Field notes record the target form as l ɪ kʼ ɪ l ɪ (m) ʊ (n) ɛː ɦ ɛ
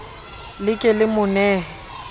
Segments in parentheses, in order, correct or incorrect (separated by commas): correct, correct